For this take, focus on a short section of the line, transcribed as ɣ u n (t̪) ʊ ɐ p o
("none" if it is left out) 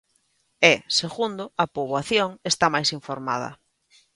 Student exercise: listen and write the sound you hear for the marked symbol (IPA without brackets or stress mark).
d̪